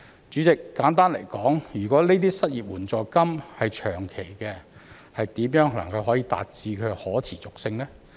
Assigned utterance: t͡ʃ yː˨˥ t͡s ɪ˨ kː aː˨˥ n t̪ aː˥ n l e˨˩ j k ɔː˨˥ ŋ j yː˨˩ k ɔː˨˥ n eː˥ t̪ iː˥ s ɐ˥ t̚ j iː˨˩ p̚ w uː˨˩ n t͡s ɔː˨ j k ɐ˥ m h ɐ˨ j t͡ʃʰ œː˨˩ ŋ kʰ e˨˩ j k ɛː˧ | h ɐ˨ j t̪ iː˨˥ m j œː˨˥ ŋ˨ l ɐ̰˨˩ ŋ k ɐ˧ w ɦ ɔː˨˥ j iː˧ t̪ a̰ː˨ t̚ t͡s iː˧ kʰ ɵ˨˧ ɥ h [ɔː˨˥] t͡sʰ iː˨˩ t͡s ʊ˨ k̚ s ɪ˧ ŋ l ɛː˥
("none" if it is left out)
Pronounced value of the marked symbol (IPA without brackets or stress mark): ɔː˨˥